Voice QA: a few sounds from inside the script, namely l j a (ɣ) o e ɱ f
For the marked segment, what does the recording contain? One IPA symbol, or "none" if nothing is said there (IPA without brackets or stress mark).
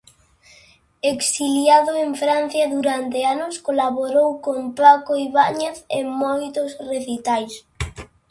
ð